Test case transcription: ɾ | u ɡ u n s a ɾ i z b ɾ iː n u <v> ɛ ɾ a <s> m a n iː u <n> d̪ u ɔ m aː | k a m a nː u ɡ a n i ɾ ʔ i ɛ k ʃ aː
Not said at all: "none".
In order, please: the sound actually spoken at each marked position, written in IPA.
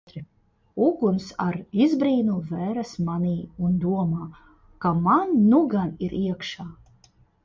v, s, n

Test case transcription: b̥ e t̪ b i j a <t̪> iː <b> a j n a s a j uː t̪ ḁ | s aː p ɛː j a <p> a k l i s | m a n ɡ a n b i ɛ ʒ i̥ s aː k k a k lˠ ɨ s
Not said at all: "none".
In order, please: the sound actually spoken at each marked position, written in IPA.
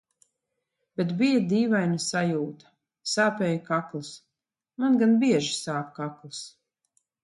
d̪, v, k

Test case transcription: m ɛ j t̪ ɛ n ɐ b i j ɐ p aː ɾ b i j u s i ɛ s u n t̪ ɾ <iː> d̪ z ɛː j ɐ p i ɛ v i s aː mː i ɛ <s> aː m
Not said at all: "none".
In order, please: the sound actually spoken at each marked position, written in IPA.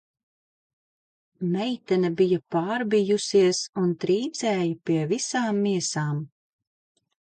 iː, s

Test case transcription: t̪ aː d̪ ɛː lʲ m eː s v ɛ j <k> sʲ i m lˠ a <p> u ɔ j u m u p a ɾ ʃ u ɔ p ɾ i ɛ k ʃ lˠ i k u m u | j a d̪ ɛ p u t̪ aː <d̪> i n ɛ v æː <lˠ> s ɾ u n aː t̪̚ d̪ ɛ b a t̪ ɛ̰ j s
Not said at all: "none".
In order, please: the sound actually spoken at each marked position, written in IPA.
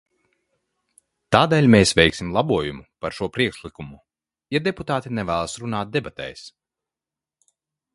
k, b, t̪, lˠ

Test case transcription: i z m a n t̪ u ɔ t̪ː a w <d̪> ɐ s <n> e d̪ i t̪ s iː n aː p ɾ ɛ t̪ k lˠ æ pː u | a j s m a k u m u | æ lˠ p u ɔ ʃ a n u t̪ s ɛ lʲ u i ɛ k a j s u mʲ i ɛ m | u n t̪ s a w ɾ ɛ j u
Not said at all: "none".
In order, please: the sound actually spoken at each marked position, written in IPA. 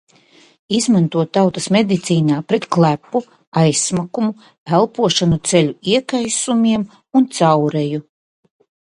t̪, m

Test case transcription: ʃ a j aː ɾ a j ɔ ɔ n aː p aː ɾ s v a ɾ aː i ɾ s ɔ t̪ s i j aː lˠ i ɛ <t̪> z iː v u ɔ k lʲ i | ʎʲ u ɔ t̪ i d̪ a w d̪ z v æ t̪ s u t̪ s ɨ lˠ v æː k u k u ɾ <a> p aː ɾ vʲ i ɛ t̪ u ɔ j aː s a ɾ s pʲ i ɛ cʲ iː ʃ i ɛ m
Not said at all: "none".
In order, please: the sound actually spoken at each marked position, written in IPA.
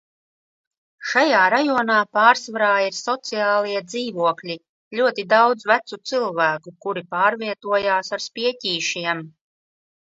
d̪, i

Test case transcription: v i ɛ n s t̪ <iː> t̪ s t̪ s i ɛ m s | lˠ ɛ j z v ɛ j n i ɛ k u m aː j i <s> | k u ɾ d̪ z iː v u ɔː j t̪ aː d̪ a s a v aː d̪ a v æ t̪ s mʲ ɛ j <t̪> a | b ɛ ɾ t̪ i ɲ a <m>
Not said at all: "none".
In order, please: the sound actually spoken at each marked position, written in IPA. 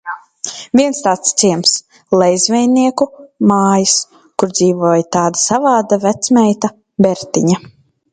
aː, s, t̪, none

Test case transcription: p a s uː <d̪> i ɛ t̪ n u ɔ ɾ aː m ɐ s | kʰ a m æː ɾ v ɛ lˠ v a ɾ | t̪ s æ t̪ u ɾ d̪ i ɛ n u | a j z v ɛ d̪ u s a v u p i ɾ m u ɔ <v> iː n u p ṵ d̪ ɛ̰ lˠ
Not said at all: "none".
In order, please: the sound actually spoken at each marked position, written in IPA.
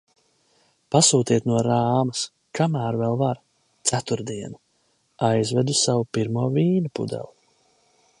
t̪, v

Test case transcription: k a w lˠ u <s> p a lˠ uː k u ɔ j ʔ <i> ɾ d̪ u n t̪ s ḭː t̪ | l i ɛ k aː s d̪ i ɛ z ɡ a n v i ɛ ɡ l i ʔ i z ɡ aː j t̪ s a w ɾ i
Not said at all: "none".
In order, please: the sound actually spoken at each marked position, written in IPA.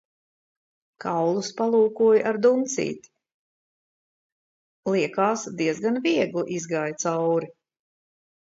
s, a

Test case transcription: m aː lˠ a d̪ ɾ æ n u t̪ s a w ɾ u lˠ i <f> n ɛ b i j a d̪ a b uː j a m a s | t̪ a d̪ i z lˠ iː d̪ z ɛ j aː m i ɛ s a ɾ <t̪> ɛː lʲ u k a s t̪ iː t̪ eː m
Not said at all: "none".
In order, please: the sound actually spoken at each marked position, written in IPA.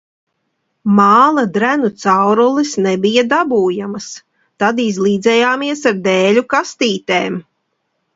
s, d̪

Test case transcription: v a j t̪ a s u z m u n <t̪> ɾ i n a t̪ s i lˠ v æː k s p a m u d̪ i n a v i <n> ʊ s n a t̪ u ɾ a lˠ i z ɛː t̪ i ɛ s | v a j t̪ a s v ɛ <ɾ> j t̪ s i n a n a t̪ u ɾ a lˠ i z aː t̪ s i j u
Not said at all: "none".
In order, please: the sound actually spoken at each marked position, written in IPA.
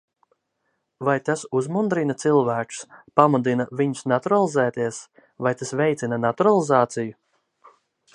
d̪, ɲ, none

